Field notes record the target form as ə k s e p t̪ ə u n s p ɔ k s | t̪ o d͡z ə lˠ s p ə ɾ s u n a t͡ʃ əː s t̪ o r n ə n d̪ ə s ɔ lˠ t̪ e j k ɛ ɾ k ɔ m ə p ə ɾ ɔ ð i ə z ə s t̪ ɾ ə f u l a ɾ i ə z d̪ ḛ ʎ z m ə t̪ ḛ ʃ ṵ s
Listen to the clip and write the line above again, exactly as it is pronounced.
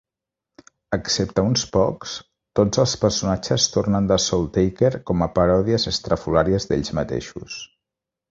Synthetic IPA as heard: ə k s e p t̪ ə u n s p ɔ k s | t̪ o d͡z ə lˠ s p ə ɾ s u n a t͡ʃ ə s t̪ o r n ə n d̪ ə s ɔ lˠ t̪ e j k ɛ ɾ k ɔ m ə p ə ɾ ɔ ð i ə z ə s t̪ ɾ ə f u l a ɾ i ə z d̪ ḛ ʎ z m ə t̪ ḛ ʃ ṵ s